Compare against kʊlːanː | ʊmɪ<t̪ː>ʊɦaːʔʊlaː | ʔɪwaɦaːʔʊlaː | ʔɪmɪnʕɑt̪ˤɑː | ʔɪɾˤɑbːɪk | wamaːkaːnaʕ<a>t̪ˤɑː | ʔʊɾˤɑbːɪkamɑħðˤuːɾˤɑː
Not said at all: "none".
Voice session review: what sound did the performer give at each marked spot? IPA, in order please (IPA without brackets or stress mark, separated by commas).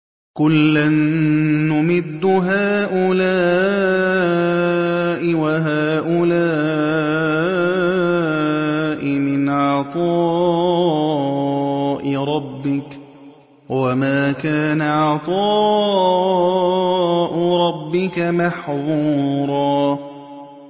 d̪ː, ɑ